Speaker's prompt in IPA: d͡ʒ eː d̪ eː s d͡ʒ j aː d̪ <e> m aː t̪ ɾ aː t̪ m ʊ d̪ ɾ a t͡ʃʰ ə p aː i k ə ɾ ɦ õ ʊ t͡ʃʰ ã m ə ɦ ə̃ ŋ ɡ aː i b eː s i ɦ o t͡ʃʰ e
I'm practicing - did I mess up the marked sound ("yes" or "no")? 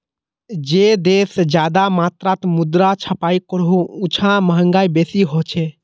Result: yes